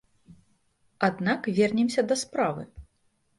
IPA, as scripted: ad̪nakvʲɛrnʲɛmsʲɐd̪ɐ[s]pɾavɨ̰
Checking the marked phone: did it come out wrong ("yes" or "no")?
no